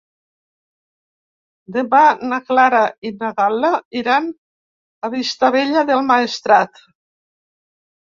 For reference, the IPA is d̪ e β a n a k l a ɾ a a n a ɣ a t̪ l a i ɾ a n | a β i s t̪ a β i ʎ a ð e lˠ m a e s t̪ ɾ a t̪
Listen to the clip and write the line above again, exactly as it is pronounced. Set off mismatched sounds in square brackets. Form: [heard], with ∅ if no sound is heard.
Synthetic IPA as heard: d̪ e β a n a k l a ɾ a [i] n a ɣ a [∅] l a i ɾ a n | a β i s t̪ a β [e] ʎ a ð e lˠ m a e s t̪ ɾ a t̪